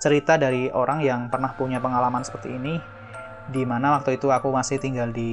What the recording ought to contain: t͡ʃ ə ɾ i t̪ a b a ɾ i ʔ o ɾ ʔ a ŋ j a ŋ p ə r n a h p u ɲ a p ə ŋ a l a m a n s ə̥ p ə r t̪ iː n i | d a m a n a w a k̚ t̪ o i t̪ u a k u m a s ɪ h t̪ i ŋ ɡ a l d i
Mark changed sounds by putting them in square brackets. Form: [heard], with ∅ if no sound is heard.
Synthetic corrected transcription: t͡ʃ ə ɾ i t̪ a [d] a ɾ i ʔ o ɾ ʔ a ŋ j a ŋ p ə r n a h p u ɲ a p ə ŋ a l a m a n s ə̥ p ə r t̪ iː n i | d [i] m a n a w a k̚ t̪ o i t̪ u a k u m a s ɪ h t̪ i ŋ ɡ a l d i